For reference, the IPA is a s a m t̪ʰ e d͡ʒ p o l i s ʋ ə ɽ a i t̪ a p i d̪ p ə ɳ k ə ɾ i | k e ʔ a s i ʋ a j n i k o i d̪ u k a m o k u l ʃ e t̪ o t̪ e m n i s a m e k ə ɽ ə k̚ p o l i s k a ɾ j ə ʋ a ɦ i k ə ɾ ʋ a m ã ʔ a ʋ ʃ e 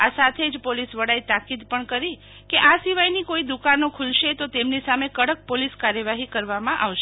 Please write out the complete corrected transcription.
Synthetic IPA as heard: a s a t̪ʰ e d͡ʒ p o l i s ʋ ə ɽ a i t̪ a k i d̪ p ə ɳ k ə ɾ i | k e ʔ a s i ʋ a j n i k o i d̪ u k a n o kʰ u l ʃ e t̪ o t̪ e m n i s a m e k ə ɽ ə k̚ p o l i s k a ɾ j ə ʋ a ɦ i k ə ɾ ʋ a m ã ʔ a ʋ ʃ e